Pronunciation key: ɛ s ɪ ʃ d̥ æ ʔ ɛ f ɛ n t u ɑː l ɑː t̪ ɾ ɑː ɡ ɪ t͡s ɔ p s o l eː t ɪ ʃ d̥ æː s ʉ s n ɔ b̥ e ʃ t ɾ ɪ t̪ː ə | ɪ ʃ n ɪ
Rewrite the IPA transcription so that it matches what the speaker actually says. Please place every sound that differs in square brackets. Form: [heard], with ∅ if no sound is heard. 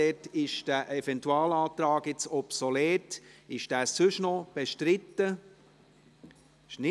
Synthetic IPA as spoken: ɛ [t] ɪ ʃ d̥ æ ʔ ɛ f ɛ n t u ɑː l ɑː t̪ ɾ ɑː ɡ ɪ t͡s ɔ p s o l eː t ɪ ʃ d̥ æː s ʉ [ʃ] n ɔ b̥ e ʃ t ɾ ɪ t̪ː ə | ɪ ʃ n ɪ